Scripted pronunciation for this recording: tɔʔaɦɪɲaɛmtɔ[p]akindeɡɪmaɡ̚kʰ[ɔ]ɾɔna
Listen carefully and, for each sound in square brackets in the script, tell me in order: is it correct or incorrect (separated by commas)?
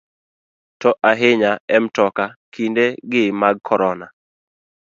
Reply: incorrect, correct